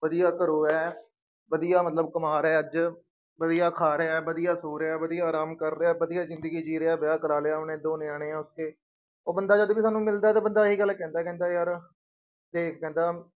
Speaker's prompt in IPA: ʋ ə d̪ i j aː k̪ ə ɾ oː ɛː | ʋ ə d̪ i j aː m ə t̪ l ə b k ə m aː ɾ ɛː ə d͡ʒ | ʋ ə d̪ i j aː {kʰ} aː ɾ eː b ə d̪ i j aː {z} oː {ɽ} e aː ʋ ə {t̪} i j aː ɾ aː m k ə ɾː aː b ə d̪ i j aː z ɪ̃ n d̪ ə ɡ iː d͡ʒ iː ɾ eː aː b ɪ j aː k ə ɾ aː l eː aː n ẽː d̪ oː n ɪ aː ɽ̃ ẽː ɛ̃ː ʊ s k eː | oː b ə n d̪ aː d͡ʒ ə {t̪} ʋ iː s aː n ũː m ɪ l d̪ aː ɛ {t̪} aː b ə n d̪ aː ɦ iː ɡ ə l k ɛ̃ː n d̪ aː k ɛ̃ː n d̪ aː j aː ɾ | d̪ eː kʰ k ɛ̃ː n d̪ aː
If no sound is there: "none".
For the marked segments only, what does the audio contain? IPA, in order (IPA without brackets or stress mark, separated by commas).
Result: kʰ, s, ɾ, d̪, d̪, t̪